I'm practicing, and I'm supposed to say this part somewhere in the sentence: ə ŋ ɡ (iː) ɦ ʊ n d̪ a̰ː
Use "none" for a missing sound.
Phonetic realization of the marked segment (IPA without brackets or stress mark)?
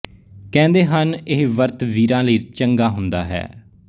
aː